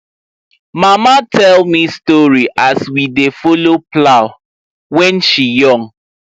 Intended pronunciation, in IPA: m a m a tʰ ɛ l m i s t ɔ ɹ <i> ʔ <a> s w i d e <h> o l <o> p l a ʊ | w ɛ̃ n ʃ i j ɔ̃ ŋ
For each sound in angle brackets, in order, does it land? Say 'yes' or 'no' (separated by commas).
yes, yes, no, yes